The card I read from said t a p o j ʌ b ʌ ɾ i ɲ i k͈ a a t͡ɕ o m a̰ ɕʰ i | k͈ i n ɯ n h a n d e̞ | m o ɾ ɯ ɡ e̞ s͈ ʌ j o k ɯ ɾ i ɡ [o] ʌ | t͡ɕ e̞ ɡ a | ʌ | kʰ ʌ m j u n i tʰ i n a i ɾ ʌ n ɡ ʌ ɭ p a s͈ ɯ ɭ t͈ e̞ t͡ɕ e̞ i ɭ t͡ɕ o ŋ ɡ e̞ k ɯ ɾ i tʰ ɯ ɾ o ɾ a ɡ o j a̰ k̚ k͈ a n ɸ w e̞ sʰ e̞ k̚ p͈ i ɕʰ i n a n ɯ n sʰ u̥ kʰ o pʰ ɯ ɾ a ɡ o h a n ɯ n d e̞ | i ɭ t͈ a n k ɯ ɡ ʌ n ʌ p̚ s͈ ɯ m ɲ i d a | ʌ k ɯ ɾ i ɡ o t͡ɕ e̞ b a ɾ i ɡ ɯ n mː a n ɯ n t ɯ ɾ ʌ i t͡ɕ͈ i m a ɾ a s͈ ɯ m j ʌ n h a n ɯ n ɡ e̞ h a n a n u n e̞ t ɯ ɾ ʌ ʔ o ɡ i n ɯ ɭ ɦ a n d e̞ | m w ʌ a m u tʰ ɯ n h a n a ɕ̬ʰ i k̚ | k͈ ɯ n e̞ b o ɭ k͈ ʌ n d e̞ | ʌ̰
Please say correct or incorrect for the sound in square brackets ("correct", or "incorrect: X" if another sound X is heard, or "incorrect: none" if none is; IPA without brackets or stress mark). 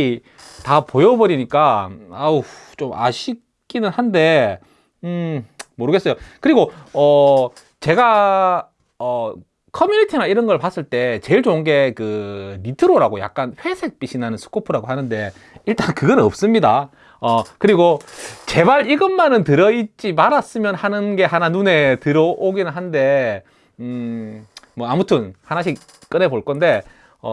correct